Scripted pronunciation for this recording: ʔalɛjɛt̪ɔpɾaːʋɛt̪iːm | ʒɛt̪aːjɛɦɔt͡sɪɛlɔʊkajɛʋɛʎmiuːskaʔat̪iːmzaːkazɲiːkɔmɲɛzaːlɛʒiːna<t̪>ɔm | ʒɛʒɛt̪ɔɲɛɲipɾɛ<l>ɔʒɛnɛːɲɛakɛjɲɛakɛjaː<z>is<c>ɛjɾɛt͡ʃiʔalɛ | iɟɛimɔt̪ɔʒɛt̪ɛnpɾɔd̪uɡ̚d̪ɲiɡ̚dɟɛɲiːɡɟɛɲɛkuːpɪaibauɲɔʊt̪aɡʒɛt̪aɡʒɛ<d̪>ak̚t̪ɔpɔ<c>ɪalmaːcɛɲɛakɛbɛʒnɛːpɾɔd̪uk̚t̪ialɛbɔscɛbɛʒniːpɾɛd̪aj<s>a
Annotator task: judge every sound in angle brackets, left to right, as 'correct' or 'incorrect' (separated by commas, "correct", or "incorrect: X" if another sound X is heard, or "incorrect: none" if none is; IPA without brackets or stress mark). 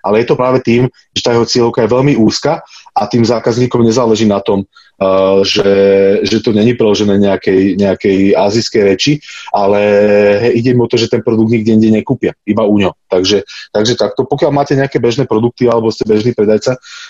correct, correct, correct, incorrect: k, incorrect: t̪, incorrect: k, incorrect: t͡s